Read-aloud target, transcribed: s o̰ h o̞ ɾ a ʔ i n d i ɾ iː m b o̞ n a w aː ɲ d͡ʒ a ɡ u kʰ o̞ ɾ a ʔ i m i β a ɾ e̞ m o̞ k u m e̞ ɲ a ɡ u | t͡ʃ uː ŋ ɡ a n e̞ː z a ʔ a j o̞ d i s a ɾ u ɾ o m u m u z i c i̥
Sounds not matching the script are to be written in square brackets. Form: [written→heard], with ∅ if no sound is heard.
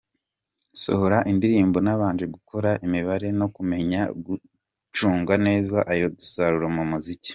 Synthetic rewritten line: s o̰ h o̞ ɾ a ʔ i n d i ɾ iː m b o̞ n a [w→β] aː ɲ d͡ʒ [a→e] ɡ u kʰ o̞ ɾ a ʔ i m i β a ɾ e̞ [m→n] o̞ k u m e̞ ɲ a ɡ u | t͡ʃ uː ŋ ɡ a n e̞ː z a ʔ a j o̞ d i s a ɾ u ɾ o m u m u z i c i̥